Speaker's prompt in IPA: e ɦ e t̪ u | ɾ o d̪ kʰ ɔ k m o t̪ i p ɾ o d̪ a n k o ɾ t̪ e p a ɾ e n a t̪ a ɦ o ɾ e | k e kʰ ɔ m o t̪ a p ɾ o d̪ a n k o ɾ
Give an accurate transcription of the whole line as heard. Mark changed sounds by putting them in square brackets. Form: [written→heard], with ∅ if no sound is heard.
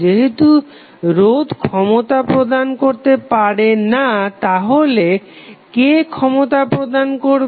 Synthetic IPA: e ɦ e t̪ u | ɾ o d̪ kʰ ɔ [k→∅] m o t̪ [i→a] p ɾ o d̪ a n k o ɾ t̪ e p a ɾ e n a t̪ a ɦ o [ɾ→l] e | k e kʰ ɔ m o t̪ a p ɾ o d̪ a n k o ɾ

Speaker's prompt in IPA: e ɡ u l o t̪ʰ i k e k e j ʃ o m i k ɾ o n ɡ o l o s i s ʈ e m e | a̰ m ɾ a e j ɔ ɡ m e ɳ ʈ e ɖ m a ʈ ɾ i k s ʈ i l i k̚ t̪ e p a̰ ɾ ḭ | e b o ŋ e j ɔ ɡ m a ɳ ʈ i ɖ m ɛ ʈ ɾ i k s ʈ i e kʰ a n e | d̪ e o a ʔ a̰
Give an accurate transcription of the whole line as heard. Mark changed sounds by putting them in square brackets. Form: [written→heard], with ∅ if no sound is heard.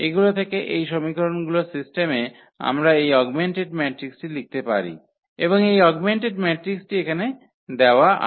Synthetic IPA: e ɡ u l o t̪ʰ [i→e] k e [k→ʔ] e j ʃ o m i k ɾ o n ɡ [o→u] l o s i s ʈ e m e | a̰ m ɾ a e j ɔ ɡ m e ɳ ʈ e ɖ m [a→ɛ] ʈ ɾ i k s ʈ i l i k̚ t̪ e p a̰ ɾ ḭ | e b o ŋ e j ɔ ɡ m [a→e] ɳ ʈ [i→e] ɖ m ɛ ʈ ɾ i k s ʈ i e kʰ a n e | d̪ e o a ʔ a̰

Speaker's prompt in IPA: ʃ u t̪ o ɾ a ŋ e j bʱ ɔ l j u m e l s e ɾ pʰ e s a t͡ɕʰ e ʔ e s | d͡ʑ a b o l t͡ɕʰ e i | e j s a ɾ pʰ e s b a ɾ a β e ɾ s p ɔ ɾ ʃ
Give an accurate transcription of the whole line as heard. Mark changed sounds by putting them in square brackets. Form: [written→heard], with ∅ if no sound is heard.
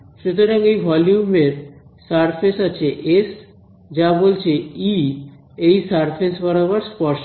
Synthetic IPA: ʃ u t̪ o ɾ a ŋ e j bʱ ɔ l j u m e [l→ɾ] s [e→a] ɾ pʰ e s a t͡ɕʰ e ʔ e s | d͡ʑ a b o l t͡ɕʰ e i | e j s a ɾ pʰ e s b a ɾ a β [e→a] ɾ s p ɔ ɾ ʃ

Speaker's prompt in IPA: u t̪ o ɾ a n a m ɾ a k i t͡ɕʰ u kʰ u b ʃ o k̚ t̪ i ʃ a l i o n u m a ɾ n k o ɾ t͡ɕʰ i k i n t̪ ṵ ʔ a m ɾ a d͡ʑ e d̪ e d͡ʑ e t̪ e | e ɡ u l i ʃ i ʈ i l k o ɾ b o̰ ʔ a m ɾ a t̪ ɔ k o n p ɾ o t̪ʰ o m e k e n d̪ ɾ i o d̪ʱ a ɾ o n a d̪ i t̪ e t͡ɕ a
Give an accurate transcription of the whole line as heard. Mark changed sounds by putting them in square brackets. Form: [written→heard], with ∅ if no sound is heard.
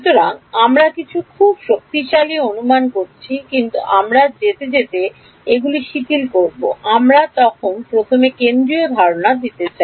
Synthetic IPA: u t̪ o ɾ a [n→ŋ] a m ɾ a k i t͡ɕʰ u kʰ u b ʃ o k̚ t̪ i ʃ a l i o n u m a [ɾ→∅] n k o ɾ t͡ɕʰ i k i n t̪ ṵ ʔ a m ɾ a d͡ʑ e [d̪→t̪] e d͡ʑ e t̪ e | e ɡ u l i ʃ i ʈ i l k o ɾ b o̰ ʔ a m ɾ a t̪ ɔ [k→kʰ] o n p ɾ o t̪ʰ o m e k e n d̪ ɾ i o d̪ʱ a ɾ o n a d̪ i t̪ e t͡ɕ a

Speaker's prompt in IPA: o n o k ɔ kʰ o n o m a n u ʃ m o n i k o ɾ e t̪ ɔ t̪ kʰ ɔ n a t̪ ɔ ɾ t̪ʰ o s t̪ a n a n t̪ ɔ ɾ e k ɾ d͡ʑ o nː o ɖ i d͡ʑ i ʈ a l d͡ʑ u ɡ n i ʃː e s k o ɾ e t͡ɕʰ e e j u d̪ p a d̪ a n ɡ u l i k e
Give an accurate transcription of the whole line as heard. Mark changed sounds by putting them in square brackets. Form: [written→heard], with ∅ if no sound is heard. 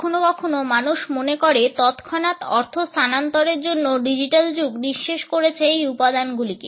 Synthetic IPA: o n o k ɔ kʰ o n o m a n u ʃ m o n [i→e] k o ɾ e t̪ ɔ t̪ kʰ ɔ n a t̪ ɔ ɾ t̪ʰ o s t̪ a n a n t̪ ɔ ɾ e [k→∅] ɾ d͡ʑ o nː o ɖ i d͡ʑ i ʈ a l d͡ʑ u ɡ n i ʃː e [s→ʃ] k o ɾ e t͡ɕʰ e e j u [d̪→∅] p a d̪ a n ɡ u l i k e

